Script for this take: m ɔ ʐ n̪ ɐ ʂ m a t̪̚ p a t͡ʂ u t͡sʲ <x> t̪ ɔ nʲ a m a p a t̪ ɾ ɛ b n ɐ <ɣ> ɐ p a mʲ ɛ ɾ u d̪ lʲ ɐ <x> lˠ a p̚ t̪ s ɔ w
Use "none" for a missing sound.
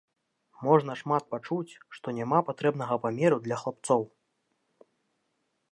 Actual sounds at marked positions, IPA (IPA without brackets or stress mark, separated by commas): ʂ, ɣ, x